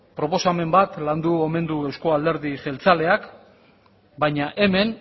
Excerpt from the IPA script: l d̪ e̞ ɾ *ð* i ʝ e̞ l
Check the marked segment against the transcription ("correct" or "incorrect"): correct